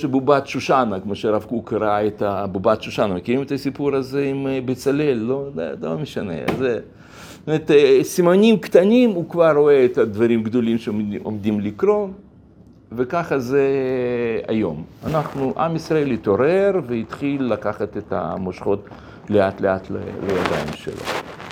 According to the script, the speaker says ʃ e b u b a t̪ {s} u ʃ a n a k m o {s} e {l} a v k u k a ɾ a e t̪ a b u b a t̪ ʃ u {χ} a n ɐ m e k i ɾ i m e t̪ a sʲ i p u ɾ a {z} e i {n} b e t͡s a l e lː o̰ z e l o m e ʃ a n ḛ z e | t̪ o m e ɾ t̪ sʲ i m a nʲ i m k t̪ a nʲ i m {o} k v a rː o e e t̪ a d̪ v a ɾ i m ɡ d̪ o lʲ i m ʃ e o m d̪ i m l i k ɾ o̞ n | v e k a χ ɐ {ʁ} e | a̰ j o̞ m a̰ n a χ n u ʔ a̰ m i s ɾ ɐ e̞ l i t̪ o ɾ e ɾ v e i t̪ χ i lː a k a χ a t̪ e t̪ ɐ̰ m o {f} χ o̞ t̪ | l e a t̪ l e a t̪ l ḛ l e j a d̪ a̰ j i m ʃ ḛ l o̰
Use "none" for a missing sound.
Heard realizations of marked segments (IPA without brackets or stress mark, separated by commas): ʃ, ʃ, ɾ, ʃ, z, m, u, z, ʃ